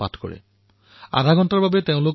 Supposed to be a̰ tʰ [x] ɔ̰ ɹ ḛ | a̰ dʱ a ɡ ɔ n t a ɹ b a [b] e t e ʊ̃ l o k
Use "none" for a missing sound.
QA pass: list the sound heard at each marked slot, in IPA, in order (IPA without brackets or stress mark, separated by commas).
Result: k, b